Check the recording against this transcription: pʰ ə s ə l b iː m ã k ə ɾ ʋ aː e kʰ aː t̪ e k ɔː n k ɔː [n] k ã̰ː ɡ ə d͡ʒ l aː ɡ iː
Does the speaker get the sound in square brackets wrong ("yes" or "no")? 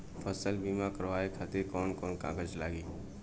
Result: no